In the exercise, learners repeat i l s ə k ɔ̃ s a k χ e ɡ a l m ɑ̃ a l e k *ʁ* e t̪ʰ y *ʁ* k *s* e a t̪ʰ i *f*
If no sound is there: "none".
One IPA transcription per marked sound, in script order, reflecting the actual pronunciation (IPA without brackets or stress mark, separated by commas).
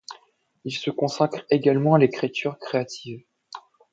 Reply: χ, ʁ, χ, v